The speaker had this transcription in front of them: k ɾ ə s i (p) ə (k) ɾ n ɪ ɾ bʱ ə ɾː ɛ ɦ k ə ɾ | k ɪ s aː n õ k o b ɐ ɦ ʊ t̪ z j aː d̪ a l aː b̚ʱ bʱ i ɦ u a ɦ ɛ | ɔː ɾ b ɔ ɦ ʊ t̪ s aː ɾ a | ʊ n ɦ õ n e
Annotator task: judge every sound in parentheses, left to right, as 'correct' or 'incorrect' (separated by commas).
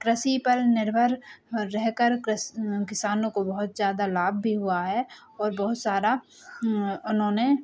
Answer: correct, incorrect